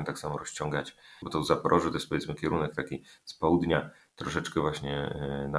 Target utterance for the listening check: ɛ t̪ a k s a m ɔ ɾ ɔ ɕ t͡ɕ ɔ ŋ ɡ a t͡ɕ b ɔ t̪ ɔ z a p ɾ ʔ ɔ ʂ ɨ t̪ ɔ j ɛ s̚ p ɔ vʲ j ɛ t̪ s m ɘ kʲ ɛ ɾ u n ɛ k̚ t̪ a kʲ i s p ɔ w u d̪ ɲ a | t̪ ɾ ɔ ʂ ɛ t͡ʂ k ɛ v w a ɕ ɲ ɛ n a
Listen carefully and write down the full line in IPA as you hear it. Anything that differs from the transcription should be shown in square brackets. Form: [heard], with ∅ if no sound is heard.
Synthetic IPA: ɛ t̪ a k s a m ɔ ɾ ɔ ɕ t͡ɕ ɔ ŋ ɡ a t͡ɕ b ɔ t̪ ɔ z a p ɾ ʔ ɔ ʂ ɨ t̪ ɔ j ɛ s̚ p ɔ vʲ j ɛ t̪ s m ɘ kʲ ɛ ɾ u n ɛ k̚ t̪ a kʲ i s p ɔ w u d̪ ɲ a | t̪ ɾ ɔ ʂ ɛ t͡ʂ k ɛ v w a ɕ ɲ ɛ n a